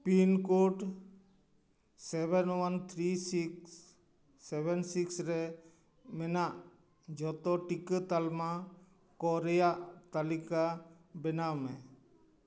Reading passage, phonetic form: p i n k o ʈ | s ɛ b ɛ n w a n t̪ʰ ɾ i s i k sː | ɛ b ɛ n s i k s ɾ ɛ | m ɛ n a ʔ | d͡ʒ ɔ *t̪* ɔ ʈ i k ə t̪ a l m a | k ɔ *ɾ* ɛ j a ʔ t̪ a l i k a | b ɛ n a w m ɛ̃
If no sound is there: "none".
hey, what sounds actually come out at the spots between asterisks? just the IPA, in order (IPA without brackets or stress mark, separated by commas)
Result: t̪, ɾ